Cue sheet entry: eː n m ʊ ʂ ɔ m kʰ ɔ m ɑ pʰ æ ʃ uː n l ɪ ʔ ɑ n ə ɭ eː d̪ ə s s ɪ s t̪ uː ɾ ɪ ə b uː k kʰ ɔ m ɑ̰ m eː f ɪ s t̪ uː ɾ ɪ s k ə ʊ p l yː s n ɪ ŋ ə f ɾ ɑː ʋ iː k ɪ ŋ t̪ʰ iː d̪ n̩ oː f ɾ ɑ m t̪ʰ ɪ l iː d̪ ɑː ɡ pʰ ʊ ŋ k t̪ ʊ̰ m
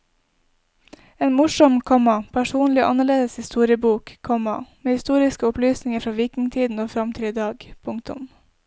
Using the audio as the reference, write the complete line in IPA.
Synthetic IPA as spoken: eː n m ʊ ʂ ɔ m kʰ ɔ m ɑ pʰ æ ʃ uː n l ɪ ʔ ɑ n ə ɭ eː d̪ ə s h ɪ s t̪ uː ɾ ɪ ə b uː k kʰ ɔ m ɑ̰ m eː h ɪ s t̪ uː ɾ ɪ s k ə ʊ p l yː s n ɪ ŋ ə f ɾ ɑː ʋ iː k ɪ ŋ t̪ʰ iː d̪ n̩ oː f ɾ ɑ m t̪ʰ ɪ l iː d̪ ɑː ɡ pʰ ʊ ŋ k t̪ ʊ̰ m

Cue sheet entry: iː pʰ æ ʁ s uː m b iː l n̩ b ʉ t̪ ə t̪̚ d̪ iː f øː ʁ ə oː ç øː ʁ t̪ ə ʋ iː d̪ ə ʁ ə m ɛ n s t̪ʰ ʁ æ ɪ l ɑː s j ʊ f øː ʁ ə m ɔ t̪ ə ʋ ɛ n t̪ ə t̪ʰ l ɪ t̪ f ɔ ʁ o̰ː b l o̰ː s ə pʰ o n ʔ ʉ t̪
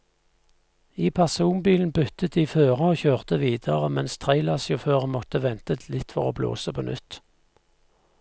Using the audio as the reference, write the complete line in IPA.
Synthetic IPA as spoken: iː pʰ æ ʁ s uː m b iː l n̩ b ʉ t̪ ə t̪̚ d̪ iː f øː ʁ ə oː ç øː ʁ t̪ ə ʋ iː d̪ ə ʁ ə m ɛ n s t̪ʰ ʁ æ ɪ l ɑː s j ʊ f øː ʁ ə m ɔ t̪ ə ʋ ɛ n t̪ ə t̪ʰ l ɪ t̪ f ɔ ʁ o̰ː b l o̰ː s ə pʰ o n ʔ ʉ t̪

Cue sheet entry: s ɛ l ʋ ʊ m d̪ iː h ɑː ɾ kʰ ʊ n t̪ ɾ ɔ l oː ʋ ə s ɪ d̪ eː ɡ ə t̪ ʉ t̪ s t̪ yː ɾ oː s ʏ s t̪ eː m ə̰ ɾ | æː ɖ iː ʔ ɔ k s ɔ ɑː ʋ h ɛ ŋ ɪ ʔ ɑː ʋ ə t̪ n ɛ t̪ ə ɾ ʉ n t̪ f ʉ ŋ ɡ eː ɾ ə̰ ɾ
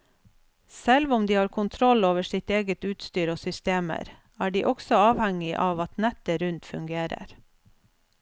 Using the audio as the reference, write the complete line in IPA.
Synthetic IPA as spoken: s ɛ l ʋ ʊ m d̪ iː h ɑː ɾ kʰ ʊ n t̪ʰ ɾ ɔ l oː ʋ ə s ɪ t̪ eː ɡ ə t̪ ʉː t̪ s t̪ yː ɾ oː s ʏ s t̪ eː m ə̰ ɾ | æː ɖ iː ʔ ɔ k s ɔ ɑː ʋ h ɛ ŋ ɪ ʔ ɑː ʋ ɑ t̪ n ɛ t̪ ə ɾ ʉ n t̪ f ʉ ŋ ɡ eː ɾ ə̰ ɾ

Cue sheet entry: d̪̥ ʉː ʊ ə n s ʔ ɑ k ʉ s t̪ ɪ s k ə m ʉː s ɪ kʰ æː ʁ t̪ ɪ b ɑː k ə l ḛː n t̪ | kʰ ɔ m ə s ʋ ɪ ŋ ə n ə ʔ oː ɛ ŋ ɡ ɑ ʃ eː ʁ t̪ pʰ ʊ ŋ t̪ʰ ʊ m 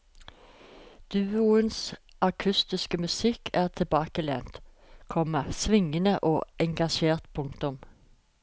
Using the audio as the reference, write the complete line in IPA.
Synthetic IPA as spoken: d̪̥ ʉː ʊ ə n s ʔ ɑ kʰ ʉ s t̪ ɪ s k ə m ʉ s ɪ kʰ æː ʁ t̪ʰ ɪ b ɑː k ə l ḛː n t̪ | kʰ ɔ m ə s ʋ ɪ ŋ ə n ə ʔ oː ɛ ŋ ɡ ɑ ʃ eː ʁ t̪ pʰ ʊ ŋ t̪ ʊ m

